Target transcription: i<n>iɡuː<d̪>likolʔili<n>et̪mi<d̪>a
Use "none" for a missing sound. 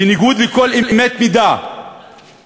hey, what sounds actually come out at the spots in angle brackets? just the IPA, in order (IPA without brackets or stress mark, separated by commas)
n, d̪, m, d̪